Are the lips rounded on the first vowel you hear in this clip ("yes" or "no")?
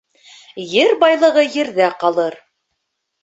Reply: no